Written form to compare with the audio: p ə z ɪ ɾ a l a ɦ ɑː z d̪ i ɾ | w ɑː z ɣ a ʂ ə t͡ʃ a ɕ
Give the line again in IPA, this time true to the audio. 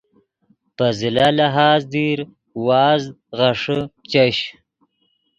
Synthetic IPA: p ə z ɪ l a l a ɦ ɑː z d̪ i ɾ | w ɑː z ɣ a ʂ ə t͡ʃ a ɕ